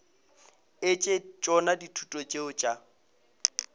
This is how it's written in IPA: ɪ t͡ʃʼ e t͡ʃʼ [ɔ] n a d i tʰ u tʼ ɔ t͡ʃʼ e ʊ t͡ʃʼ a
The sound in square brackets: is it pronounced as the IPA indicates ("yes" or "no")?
yes